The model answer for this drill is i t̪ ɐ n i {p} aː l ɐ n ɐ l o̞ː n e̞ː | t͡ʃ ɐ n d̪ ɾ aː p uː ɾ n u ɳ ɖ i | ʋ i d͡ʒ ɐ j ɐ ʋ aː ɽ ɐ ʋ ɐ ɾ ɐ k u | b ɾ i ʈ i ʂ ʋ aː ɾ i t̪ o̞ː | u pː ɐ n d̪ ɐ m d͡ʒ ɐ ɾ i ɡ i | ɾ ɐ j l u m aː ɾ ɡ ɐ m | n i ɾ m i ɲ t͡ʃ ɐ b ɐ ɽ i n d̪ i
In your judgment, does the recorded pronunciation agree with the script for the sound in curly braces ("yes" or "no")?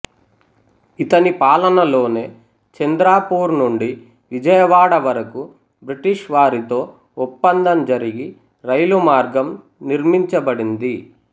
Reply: yes